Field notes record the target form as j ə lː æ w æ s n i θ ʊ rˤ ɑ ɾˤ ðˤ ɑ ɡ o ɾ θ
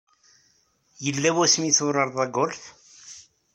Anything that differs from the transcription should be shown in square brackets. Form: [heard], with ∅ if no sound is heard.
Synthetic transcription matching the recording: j ə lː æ w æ s [m] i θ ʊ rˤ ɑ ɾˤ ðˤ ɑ ɡ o [l] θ